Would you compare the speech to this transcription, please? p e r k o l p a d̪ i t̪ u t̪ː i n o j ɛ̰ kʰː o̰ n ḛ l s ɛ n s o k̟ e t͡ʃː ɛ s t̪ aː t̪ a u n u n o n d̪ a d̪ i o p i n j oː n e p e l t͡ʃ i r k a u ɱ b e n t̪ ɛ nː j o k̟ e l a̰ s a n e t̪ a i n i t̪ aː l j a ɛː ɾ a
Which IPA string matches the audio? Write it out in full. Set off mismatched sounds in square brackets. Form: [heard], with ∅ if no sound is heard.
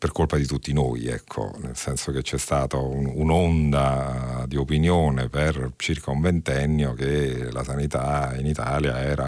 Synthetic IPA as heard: p e r k o l p a d̪ i t̪ u t̪ː i n o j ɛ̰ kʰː o̰ n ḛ l s ɛ n s o k̟ e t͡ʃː ɛ s t̪ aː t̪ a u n u n o n d̪ a d̪ i o p i n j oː n e p e [r] t͡ʃ i r k a u ɱ [v] e n t̪ ɛ nː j o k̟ e l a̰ s a n [i] t̪ a i n i t̪ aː l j a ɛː ɾ a